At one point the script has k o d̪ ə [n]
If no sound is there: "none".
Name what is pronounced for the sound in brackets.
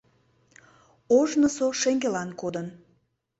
n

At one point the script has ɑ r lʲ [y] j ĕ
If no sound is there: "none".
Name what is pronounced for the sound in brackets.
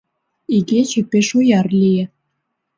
i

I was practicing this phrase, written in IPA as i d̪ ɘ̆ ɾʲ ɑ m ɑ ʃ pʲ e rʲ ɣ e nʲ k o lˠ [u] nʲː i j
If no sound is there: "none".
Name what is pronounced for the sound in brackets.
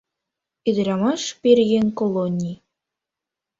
o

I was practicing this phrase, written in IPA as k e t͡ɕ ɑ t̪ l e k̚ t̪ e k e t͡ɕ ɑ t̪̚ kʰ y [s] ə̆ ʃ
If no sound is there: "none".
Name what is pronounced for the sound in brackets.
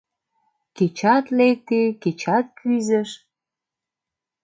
z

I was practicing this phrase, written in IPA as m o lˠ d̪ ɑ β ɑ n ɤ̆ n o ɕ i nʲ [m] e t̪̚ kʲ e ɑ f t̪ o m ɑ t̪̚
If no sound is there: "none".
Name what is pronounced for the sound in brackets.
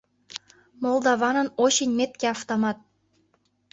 m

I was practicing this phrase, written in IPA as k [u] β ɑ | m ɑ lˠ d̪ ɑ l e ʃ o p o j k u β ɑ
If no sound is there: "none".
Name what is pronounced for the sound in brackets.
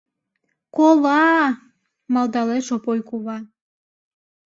o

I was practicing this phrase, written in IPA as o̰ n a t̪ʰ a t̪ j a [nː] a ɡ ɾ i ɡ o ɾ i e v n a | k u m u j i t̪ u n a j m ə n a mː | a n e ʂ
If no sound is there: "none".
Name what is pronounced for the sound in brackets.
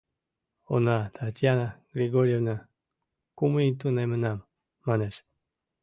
n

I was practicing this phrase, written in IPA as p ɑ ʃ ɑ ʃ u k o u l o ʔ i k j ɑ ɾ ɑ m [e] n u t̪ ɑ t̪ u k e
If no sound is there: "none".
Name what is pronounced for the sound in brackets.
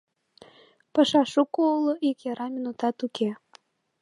i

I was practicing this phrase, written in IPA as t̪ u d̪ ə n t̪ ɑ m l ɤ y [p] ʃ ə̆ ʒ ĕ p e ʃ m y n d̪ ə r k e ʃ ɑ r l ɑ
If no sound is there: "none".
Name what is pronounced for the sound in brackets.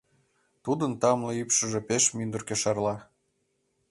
p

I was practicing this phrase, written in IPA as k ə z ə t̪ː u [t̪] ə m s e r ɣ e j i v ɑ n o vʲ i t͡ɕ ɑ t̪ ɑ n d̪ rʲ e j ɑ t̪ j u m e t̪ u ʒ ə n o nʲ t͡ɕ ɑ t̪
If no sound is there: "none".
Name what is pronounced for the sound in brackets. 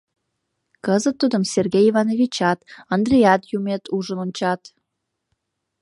d̪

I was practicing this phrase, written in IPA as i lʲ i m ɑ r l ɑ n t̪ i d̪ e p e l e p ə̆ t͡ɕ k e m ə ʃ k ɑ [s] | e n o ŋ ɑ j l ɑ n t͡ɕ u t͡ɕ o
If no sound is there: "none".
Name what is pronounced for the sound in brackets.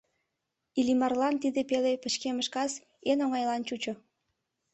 s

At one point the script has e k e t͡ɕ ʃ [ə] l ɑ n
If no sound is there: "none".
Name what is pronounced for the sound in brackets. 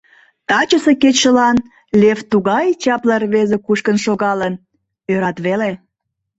ə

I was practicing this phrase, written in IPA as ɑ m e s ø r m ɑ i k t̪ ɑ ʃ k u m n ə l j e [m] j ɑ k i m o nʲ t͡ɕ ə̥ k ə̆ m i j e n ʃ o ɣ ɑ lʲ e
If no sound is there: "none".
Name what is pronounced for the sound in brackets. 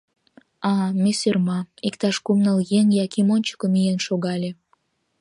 ŋ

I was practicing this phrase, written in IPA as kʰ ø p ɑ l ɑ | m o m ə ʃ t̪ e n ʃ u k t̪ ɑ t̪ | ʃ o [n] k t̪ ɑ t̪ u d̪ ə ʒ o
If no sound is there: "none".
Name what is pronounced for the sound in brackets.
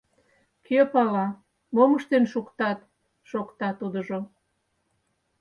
none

